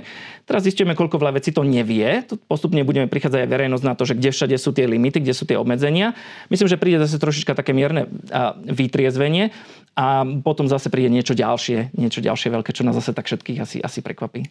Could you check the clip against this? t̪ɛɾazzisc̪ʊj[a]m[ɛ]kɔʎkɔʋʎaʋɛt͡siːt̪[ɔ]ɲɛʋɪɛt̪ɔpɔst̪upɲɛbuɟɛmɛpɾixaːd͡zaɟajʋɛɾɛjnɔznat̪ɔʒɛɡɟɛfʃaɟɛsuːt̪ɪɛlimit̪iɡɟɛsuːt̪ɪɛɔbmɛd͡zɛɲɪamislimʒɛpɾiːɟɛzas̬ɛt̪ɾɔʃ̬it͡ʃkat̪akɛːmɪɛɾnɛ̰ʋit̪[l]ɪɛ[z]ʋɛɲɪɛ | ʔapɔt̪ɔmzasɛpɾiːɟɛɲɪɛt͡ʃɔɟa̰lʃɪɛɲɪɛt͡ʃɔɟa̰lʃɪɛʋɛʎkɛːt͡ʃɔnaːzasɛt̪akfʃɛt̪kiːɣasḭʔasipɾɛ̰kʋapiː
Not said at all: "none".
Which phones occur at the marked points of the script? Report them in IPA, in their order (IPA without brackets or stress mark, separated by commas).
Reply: ɛ, ɛ, ɔ, ɾ, z